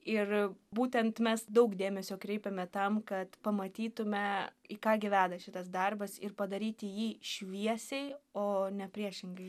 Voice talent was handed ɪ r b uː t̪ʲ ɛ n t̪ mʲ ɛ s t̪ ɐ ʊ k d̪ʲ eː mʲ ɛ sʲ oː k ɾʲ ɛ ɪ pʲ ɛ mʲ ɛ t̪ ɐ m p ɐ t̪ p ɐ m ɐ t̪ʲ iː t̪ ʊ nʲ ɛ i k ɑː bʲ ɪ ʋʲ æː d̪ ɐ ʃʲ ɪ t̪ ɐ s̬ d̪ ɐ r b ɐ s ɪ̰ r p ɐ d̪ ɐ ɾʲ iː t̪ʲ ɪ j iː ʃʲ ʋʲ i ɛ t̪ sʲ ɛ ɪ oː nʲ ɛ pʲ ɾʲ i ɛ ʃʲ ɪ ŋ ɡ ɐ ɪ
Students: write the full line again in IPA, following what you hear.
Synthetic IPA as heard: ɪ r b uː t̪ʲ ɛ n t̪ mʲ ɛ s d̪ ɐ ʊ k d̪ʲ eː mʲ ɛ sʲ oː k ɾʲ ɛ ɪ pʲ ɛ mʲ ɛ t̪ ɐ m k ɐ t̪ p ɐ m ɐ t̪ʲ iː t̪ ʊ mʲ ɛ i k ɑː ɡʲ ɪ ʋʲ æː d̪ ɐ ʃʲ ɪ t̪ ɐ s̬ d̪ ɐ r b ɐ s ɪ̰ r p ɐ d̪ ɐ ɾʲ iː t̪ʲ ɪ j iː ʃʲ ʋʲ i ɛ sʲ ɛ ɪ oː nʲ ɛ pʲ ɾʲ i ɛ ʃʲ ɪ ŋ ɡ ɐ ɪ